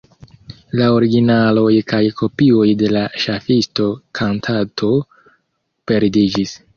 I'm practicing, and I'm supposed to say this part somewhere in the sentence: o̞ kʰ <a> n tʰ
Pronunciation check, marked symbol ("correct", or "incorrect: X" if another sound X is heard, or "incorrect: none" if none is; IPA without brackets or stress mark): correct